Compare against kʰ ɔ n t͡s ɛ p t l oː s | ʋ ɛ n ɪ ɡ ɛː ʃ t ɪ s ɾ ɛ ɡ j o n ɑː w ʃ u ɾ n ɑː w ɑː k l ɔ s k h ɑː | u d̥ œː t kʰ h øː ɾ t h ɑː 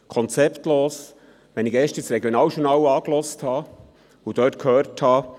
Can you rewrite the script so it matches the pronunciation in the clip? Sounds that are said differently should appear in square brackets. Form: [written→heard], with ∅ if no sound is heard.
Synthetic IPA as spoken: kʰ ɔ n t͡s ɛ p t l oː s | ʋ ɛ n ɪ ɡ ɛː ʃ t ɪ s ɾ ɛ ɡ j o n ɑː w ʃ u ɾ n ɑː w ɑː k l ɔ s [k→t] h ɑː | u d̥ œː t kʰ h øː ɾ t h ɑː